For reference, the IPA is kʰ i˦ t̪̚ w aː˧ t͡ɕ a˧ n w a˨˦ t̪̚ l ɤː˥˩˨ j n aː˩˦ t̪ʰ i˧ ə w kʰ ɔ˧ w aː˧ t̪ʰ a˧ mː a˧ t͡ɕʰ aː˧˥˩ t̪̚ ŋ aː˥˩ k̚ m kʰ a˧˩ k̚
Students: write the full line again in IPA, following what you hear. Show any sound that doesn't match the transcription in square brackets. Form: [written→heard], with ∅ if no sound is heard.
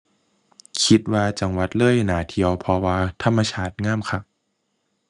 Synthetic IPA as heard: kʰ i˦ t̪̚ w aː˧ t͡ɕ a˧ [n→ŋ] w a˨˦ t̪̚ l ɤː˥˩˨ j n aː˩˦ t̪ʰ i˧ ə w [kʰ→pʰ] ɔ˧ w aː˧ t̪ʰ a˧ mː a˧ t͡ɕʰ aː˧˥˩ t̪̚ ŋ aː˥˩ [k̚→∅] m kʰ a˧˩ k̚